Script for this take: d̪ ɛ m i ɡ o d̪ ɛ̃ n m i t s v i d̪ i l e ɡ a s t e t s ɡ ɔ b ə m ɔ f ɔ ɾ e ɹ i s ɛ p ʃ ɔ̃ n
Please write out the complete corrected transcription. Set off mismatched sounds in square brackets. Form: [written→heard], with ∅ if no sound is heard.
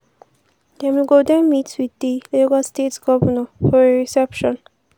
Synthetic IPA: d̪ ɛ m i ɡ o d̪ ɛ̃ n m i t s [v→w] i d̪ i l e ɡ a s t e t s ɡ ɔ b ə [m→n] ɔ f ɔ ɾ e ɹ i s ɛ p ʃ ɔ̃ n